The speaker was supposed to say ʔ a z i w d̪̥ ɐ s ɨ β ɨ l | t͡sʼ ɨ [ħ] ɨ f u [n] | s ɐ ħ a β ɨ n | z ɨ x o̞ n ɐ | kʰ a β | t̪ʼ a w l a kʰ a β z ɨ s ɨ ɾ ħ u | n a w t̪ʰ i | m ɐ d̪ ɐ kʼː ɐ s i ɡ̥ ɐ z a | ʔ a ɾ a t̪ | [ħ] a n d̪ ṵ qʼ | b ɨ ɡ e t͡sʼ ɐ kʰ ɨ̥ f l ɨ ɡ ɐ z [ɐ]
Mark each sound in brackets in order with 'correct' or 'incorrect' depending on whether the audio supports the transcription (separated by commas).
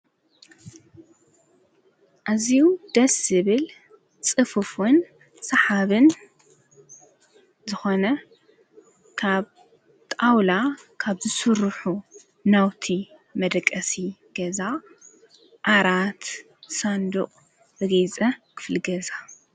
incorrect, correct, incorrect, incorrect